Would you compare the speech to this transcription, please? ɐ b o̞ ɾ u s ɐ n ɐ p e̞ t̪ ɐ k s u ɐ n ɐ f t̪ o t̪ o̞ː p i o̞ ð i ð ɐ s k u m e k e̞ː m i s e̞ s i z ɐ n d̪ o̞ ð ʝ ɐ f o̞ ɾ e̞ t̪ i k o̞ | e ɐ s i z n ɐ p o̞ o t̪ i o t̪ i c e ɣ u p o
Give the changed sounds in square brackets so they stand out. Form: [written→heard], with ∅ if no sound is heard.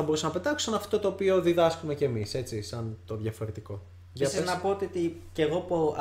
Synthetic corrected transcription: ɐ b o̞ ɾ u s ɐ n ɐ p e̞ t̪ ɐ k s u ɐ n ɐ f t̪ o t̪ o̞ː p i o̞ ð i ð ɐ s k u m e [k→c] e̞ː m i s e̞ [s→t͡s] i [z→s] ɐ n [d̪→t̪] o̞ ð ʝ ɐ f o̞ ɾ e̞ t̪ i k o̞ | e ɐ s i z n ɐ p o̞ o t̪ i o t̪ i c e ɣ [u→o] p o